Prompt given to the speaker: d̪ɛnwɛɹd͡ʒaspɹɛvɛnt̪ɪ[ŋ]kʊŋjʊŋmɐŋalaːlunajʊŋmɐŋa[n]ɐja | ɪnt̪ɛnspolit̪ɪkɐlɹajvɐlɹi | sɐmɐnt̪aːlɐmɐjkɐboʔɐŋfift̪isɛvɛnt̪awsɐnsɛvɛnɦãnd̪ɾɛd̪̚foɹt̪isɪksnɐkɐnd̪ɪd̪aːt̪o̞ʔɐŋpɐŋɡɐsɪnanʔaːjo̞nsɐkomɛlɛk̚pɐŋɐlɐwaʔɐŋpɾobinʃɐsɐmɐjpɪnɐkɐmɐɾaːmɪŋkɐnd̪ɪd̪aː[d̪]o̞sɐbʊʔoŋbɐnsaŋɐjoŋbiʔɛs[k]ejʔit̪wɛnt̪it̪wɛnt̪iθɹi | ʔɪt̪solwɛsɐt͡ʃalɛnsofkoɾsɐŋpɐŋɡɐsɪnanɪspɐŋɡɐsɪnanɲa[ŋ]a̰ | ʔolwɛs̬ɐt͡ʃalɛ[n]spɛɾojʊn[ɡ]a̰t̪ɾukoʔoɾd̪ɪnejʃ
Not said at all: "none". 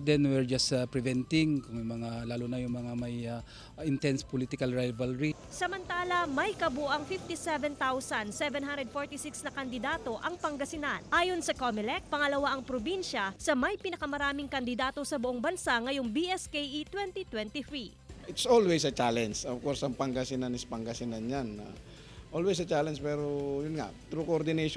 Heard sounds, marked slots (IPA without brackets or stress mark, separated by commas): ŋ, m, t̪, k, n, n, ŋ